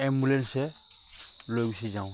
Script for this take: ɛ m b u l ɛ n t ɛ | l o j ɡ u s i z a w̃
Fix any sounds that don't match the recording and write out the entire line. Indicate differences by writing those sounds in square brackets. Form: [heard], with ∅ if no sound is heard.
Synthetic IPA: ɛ m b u l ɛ n [s] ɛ | l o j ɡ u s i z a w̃